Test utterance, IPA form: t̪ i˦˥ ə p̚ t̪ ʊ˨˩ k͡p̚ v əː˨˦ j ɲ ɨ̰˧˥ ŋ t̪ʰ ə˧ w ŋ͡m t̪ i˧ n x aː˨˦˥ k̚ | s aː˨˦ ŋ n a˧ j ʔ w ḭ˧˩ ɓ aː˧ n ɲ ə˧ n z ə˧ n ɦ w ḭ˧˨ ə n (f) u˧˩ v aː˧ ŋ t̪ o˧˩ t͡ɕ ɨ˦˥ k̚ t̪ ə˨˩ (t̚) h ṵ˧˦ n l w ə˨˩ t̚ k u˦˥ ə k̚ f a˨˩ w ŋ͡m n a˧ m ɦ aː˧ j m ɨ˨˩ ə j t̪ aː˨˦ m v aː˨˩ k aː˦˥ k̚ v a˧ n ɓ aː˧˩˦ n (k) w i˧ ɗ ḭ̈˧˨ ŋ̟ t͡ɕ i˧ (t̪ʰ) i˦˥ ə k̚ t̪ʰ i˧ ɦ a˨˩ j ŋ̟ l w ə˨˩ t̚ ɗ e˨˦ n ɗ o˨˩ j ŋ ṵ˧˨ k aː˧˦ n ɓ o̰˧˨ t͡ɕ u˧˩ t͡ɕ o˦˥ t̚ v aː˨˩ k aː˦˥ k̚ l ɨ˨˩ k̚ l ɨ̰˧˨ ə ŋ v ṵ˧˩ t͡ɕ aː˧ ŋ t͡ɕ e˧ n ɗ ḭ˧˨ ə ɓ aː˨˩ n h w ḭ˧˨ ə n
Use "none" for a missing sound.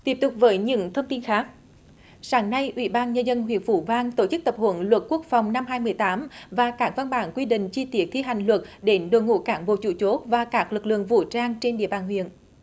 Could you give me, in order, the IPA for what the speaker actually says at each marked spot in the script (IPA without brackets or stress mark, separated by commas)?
f, p̚, k, t̪